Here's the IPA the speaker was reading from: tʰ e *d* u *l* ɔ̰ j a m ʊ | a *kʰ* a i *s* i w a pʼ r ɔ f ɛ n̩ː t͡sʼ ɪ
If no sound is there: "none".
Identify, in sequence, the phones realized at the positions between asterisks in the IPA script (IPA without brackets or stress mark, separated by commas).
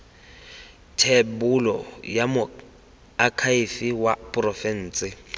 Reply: b, l, kʰ, f